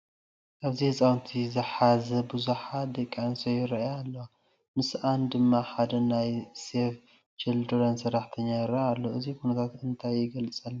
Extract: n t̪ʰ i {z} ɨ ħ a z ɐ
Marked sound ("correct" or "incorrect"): correct